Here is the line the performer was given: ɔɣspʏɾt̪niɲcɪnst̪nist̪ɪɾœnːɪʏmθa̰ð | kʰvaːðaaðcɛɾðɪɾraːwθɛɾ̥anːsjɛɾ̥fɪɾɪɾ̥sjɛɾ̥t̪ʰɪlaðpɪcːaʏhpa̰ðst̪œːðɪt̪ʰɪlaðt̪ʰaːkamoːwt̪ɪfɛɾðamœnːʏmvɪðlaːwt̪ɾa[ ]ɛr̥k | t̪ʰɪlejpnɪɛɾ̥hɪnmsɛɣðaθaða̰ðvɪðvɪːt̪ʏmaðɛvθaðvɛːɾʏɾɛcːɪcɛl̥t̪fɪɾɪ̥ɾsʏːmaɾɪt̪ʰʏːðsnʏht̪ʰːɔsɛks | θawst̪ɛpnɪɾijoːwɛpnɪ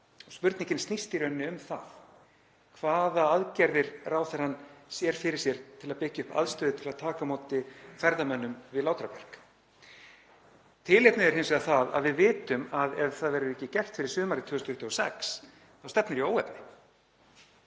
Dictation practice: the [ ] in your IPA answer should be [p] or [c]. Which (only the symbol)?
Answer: p